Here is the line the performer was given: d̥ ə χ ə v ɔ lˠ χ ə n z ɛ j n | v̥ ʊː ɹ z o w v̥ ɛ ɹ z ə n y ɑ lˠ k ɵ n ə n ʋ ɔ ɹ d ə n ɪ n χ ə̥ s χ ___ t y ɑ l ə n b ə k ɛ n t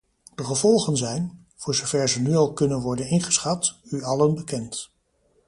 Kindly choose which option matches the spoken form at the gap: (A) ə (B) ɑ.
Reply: B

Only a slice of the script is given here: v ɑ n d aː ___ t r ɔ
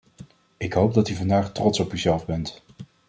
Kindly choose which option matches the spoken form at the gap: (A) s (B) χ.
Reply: B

